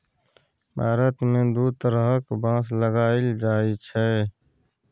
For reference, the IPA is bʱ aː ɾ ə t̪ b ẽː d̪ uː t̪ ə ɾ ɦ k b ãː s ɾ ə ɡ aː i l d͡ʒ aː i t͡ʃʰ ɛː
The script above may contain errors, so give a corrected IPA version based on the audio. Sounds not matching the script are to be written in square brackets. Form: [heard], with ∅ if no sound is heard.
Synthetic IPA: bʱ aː ɾ ə t̪ [m] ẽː d̪ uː t̪ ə ɾ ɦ k b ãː s [l] ə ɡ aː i l d͡ʒ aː i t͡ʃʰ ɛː